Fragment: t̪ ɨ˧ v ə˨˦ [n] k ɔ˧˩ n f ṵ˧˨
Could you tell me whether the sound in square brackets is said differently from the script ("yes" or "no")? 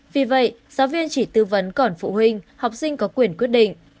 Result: no